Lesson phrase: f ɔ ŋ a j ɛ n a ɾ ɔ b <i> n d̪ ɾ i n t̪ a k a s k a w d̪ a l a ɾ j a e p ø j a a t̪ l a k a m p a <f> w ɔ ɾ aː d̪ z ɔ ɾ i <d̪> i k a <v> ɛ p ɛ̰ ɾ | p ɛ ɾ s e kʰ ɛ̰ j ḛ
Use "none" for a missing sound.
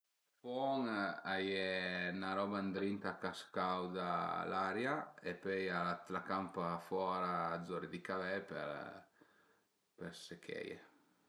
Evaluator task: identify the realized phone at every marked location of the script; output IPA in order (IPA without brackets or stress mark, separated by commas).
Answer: a, f, d̪, v